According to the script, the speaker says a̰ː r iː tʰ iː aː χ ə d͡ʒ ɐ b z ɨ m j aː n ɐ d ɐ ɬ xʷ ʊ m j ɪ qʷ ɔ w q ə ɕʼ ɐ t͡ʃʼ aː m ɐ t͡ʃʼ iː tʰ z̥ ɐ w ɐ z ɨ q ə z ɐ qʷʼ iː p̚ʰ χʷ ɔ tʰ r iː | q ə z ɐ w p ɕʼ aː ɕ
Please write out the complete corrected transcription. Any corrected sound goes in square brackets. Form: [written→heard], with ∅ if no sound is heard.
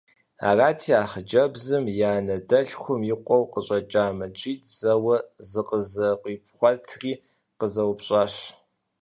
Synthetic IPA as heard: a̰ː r [iː→aː] tʰ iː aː χ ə d͡ʒ ɐ b z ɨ m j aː n ɐ d ɐ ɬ xʷ ʊ m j ɪ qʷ ɔ w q ə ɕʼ ɐ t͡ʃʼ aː m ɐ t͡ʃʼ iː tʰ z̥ ɐ w ɐ z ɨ q ə z ɐ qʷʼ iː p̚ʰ χʷ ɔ tʰ r iː | q ə z ɐ w p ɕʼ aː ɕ